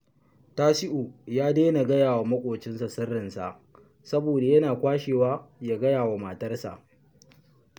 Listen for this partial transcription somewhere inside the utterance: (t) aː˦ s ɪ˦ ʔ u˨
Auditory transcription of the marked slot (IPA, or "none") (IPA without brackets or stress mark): t